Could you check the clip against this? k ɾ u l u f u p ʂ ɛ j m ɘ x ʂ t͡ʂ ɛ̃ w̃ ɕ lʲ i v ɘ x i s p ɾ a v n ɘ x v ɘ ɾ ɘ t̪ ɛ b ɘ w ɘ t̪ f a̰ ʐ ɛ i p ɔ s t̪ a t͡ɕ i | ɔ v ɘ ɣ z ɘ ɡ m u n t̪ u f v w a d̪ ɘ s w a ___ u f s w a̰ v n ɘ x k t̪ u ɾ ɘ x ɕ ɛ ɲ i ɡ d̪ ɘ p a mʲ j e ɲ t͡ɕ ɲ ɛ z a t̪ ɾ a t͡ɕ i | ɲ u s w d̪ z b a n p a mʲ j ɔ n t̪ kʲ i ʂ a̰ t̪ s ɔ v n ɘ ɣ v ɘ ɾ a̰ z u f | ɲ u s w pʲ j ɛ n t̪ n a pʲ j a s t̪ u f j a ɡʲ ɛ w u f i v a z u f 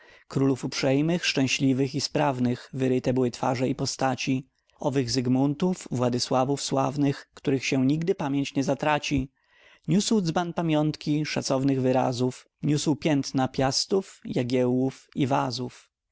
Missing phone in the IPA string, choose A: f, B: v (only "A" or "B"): B